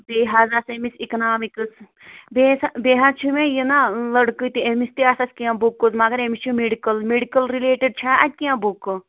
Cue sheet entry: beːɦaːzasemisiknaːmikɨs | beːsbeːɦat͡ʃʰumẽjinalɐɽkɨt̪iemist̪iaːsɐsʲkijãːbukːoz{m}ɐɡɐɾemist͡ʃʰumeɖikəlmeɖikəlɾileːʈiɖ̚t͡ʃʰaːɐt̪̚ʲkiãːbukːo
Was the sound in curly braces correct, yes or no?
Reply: yes